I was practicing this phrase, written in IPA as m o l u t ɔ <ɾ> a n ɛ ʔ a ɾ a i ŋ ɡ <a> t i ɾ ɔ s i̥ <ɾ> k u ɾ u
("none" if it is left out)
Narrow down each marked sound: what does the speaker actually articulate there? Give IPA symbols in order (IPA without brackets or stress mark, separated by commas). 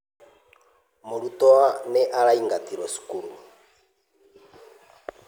none, a, none